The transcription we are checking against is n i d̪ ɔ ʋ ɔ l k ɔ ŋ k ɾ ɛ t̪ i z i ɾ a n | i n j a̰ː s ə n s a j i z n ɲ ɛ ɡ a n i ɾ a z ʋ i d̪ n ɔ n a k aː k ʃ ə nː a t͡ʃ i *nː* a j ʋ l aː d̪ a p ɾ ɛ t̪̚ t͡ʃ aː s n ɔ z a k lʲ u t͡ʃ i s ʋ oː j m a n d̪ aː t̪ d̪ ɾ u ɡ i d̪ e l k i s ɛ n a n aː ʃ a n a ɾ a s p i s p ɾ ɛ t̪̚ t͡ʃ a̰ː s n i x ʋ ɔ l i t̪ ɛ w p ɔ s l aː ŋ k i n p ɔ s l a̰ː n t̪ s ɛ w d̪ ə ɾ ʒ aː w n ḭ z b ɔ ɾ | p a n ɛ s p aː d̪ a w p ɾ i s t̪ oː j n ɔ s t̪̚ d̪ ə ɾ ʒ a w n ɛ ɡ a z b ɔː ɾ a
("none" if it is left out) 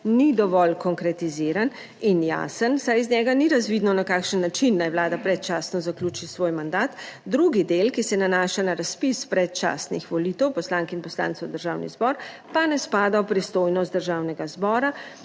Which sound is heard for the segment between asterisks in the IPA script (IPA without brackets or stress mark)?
nː